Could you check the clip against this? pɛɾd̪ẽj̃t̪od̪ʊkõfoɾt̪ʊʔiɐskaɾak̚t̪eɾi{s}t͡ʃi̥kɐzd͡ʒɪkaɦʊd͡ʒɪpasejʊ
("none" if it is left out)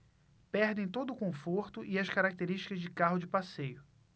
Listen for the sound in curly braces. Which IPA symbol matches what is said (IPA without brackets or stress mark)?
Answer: ʃ